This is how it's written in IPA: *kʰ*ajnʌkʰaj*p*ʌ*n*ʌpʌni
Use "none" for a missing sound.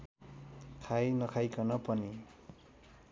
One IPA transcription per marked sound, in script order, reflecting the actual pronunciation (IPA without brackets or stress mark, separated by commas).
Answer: kʰ, k, n